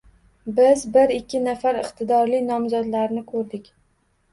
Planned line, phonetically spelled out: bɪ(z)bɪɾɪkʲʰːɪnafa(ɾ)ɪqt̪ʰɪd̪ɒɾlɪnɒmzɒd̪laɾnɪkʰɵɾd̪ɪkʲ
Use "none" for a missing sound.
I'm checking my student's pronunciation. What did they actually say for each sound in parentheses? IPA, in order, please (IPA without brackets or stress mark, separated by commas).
z, ɾ